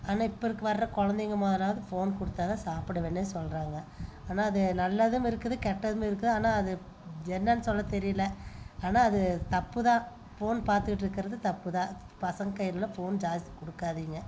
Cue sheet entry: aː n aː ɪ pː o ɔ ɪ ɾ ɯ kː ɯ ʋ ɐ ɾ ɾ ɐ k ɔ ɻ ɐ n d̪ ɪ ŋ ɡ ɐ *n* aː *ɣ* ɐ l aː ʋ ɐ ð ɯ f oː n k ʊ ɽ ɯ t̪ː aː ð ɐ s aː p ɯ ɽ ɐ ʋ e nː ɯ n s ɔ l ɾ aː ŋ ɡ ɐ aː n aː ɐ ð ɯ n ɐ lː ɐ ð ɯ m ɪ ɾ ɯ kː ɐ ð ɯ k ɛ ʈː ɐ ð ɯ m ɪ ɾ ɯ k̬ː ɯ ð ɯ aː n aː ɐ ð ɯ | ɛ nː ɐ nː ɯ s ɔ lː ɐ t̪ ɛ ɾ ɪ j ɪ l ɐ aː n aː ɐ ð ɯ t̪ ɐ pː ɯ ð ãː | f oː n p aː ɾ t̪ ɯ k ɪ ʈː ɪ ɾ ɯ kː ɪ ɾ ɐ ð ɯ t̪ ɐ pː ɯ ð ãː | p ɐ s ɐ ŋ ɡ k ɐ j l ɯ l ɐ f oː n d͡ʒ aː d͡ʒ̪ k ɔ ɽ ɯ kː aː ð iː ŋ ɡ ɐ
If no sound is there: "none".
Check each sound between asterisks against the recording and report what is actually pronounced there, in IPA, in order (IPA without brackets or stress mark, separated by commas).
m, ð